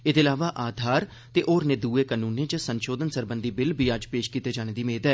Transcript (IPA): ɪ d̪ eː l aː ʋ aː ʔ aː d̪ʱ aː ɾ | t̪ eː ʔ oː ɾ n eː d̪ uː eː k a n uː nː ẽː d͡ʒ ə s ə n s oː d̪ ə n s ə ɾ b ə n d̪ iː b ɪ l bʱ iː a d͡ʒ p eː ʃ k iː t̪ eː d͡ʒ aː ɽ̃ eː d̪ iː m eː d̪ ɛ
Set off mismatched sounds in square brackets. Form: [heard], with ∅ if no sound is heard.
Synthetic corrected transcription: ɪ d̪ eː l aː ʋ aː ʔ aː d̪ʱ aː ɾ | t̪ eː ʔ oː ɾ n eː d̪ uː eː k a n uː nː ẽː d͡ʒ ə s ə n [ʃ] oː d̪ ə n s ə ɾ b ə n d̪ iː b ɪ l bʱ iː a d͡ʒ p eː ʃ k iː t̪ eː d͡ʒ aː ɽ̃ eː d̪ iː m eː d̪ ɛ